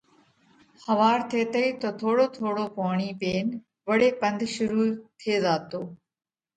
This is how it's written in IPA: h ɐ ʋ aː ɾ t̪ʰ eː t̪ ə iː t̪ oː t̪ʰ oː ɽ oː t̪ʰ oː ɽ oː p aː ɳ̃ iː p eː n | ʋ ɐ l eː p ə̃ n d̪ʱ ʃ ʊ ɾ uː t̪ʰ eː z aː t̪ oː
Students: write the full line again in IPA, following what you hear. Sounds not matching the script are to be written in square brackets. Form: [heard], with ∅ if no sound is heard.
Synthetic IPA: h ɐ ʋ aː ɾ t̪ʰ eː t̪ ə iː t̪ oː t̪ʰ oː ɽ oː t̪ʰ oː ɽ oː p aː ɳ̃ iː p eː n | ʋ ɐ [ɽ] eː p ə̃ n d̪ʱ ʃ ʊ ɾ uː t̪ʰ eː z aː t̪ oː